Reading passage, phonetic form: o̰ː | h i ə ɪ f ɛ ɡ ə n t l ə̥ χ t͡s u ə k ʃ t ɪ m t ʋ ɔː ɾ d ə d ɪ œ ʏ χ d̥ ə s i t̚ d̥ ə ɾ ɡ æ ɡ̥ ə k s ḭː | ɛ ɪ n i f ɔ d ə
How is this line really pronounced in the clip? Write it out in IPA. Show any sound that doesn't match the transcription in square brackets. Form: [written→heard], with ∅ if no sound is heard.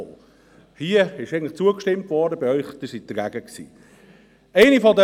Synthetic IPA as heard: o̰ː | h i ə ɪ [f→ʃ] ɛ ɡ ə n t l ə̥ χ t͡s u ə k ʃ t ɪ m t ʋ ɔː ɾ d ə [d→b] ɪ œ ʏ χ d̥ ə s i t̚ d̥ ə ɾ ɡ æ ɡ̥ ə k s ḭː | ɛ ɪ n i f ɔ d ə

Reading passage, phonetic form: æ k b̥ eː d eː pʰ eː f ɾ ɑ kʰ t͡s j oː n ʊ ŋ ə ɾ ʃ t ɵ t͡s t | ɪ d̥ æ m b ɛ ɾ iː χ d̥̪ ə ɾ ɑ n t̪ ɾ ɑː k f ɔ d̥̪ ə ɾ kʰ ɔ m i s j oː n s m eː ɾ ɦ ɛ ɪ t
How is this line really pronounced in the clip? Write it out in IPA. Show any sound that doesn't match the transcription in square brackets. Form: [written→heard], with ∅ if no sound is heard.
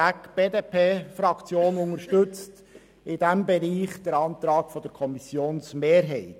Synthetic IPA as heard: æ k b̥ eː d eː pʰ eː f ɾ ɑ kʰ t͡s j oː n ʊ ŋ ə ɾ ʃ t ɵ t͡s t | ɪ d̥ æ m b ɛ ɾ iː χ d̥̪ ə ɾ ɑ n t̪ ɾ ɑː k f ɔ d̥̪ ə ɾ kʰ ɔ m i s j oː n s m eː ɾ ɦ ɛ ɪ t

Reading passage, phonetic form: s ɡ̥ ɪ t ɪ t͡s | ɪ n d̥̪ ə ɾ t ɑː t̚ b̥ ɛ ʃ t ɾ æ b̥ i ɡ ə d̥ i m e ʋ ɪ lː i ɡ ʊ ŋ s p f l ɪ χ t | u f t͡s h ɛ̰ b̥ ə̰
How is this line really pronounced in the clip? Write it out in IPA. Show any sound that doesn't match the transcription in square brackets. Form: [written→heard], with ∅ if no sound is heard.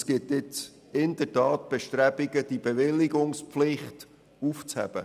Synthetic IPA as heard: s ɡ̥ ɪ t ɪ t͡s | ɪ n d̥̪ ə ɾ t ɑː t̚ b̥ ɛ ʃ t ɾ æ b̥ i ɡ ə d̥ i [m→b] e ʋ ɪ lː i ɡ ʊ ŋ s p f l ɪ χ t | u f t͡s h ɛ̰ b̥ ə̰

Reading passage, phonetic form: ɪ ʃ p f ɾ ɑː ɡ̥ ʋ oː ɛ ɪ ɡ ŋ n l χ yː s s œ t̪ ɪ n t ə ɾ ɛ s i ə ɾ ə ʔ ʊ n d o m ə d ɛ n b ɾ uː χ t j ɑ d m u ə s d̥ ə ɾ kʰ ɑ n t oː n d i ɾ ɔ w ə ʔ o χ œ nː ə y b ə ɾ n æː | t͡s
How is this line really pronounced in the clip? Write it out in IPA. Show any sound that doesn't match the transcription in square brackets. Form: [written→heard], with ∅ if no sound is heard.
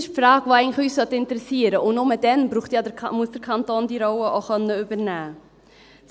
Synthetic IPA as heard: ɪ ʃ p f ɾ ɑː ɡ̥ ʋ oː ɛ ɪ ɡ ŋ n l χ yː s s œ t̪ ɪ n t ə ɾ ɛ s i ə ɾ ə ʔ ʊ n [d→n] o m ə d ɛ n b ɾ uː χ t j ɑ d m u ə s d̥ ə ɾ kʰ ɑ n t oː n d i ɾ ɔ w ə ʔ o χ œ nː ə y b ə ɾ n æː | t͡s

